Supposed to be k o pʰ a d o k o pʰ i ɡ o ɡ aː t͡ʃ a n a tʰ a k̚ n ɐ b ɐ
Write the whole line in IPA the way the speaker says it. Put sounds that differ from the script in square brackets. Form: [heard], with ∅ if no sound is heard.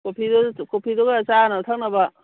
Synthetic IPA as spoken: k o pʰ [i] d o k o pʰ i [d] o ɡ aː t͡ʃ a n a tʰ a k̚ n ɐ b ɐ